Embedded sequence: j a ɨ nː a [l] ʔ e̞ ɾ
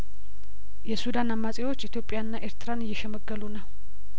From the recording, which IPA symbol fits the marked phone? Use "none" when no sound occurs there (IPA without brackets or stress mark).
none